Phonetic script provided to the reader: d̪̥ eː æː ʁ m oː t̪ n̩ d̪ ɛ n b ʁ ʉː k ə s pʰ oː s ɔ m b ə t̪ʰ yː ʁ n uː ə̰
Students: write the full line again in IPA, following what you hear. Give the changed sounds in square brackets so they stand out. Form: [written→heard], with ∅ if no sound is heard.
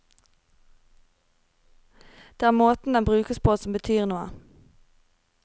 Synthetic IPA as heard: d̪̥ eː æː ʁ m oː t̪ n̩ d̪ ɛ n b ʁ ʉː k ə s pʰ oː s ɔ m b ə t̪ʰ yː ʁ n uː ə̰

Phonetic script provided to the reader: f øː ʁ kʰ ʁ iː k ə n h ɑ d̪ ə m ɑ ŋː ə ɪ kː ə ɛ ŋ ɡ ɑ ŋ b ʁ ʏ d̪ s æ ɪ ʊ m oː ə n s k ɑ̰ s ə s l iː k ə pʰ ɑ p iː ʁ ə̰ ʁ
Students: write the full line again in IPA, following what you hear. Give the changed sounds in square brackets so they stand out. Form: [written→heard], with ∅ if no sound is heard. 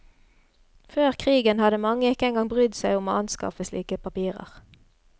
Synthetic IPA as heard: f øː ʁ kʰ ʁ iː [k→ɡ] ə n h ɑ d̪ ə m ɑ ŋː ə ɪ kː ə ɛ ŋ ɡ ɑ ŋ b ʁ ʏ d̪ s æ ɪ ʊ m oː [ə→ɑ] n s k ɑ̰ [s→f] ə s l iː k ə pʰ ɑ p iː ʁ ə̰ ʁ

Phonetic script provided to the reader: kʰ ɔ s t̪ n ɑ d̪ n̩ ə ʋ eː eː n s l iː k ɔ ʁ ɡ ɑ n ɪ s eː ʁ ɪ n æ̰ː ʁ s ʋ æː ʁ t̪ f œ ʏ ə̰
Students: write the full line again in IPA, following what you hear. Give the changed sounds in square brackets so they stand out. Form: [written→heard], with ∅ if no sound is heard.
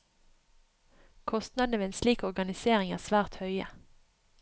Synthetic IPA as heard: kʰ ɔ s t̪ n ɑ d̪ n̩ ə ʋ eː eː n s l iː k ɔ ʁ ɡ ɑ n ɪ s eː ʁ ɪ [n→ŋ] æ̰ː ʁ s ʋ æː ʁ t̪ [f→h] œ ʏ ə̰

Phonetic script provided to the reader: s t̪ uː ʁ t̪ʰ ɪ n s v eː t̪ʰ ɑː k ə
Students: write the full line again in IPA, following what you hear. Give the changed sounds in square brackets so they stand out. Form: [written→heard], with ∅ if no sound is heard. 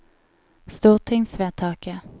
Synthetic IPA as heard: s t̪ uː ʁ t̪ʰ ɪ [n→ŋ] s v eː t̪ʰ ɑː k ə

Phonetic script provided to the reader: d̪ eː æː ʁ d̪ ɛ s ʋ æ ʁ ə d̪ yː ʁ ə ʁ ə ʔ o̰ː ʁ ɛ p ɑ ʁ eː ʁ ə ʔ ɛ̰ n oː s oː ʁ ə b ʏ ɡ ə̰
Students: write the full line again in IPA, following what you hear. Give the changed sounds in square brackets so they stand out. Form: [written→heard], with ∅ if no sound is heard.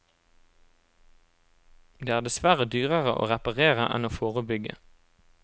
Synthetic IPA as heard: d̪ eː æː ʁ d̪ ɛ s ʋ æ ʁ ə d̪ yː ʁ ə ʁ ə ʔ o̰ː ʁ ɛ p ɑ ʁ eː ʁ ə ʔ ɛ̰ n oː [s→f] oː ʁ ə b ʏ ɡ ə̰

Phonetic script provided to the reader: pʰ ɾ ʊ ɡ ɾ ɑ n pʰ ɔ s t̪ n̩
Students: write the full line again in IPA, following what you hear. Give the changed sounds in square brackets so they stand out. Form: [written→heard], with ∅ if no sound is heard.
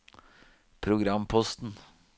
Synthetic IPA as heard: pʰ ɾ ʊ ɡ ɾ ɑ [n→m] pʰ ɔ s t̪ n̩

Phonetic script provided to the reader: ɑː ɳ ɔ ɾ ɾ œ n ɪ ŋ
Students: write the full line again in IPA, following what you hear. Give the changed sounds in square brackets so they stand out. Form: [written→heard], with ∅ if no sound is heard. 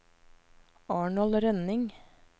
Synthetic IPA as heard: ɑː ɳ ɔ [ɾ→l] ɾ [œ→ɛ] n ɪ ŋ

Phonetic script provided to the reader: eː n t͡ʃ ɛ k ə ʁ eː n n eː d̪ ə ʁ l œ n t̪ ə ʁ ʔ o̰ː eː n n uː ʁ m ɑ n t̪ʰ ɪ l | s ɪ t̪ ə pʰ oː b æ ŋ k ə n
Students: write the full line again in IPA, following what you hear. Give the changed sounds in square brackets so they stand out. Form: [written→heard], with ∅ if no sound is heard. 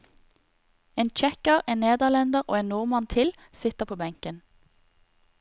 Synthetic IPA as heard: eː n t͡ʃ ɛ k ə ʁ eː n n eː d̪ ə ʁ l [œ→ɛ] n [t̪→d̪] ə ʁ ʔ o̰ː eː n n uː ʁ m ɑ n t̪ʰ ɪ l | s ɪ t̪ ə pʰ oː b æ ŋ k ə n

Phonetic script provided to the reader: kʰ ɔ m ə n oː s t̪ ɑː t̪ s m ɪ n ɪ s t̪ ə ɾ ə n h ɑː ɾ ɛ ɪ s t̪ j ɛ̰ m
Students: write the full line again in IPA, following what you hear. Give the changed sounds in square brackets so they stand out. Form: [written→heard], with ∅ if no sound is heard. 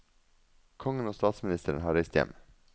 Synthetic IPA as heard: kʰ ɔ [m→ŋ] ə n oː s t̪ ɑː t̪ s m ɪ n ɪ s t̪ ə ɾ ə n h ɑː ɾ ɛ ɪ s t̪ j ɛ̰ m

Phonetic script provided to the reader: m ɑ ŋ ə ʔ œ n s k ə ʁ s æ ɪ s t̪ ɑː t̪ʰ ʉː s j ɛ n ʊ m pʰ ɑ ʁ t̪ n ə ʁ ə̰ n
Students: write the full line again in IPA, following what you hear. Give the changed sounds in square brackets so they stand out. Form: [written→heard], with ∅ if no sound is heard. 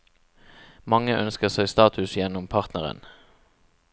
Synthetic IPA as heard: m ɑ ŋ ə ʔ œ n s k ə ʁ s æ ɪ s t̪ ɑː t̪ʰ [ʉː→ʉ] s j ɛ n ʊ m pʰ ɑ ʁ t̪ n ə ʁ ə̰ n

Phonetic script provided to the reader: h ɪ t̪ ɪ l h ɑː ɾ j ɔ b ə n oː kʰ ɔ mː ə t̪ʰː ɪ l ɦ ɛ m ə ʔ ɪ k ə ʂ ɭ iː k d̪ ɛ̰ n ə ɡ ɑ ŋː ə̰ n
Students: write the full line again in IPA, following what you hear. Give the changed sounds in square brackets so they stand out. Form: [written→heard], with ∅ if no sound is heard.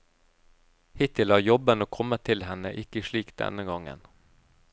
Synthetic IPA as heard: h ɪ t̪ ɪ l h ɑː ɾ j ɔ b ə n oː kʰ ɔ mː ə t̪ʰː ɪ l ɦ ɛ [m→n] ə ʔ ɪ k ə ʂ ɭ iː k d̪ ɛ̰ n ə ɡ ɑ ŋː ə̰ n

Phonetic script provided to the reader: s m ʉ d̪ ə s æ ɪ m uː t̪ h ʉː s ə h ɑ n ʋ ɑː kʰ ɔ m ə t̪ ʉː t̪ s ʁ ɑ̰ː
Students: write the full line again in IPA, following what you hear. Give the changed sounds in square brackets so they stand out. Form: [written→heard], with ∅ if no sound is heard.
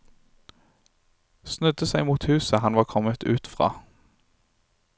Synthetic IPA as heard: s [m→n] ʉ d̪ ə s æ ɪ m uː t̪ h ʉː s ə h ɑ n ʋ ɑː kʰ ɔ m ə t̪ ʉː t̪ [s→f] ʁ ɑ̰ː

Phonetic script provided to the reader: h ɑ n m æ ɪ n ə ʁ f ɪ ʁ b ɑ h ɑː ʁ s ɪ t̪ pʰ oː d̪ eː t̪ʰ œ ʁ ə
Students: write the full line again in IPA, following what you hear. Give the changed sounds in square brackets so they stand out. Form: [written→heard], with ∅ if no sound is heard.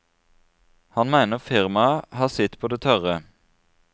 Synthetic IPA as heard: h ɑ n m æ ɪ n ə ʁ f ɪ ʁ [b→m] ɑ h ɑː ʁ s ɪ t̪ pʰ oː d̪ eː t̪ʰ œ ʁ ə

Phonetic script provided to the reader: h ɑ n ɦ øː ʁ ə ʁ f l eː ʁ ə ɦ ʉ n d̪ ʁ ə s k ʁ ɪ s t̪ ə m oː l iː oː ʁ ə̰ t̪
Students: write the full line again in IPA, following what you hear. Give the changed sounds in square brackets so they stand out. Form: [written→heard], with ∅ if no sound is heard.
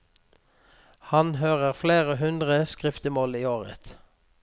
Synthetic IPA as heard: h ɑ n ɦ øː ʁ ə ʁ f l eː ʁ ə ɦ ʉ n d̪ ʁ ə s k ʁ ɪ [s→f] t̪ ə m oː l iː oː ʁ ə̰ t̪

